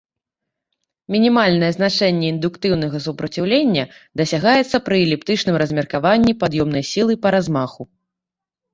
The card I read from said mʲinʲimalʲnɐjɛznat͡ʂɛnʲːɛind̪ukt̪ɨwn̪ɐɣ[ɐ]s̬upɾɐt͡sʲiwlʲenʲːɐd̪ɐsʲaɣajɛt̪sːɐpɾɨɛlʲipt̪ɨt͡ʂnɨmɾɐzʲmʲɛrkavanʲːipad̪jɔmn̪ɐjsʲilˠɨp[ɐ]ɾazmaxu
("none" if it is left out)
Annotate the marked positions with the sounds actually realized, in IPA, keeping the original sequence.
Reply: ɐ, ɐ

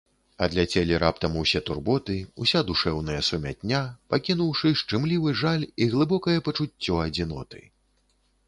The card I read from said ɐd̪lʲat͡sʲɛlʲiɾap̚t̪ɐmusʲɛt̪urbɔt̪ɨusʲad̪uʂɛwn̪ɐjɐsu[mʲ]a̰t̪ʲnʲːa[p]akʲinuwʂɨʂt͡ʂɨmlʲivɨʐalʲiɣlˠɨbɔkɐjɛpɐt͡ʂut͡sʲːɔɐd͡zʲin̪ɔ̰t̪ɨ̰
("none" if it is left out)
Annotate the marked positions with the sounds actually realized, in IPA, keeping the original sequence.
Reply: mʲ, p

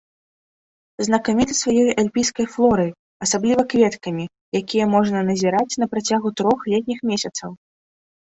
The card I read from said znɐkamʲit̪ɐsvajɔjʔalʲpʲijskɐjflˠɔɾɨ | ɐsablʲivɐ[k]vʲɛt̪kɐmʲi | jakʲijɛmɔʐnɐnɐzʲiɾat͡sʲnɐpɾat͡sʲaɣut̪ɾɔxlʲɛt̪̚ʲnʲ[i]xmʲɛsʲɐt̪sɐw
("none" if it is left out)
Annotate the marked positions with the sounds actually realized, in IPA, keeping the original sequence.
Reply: k, i

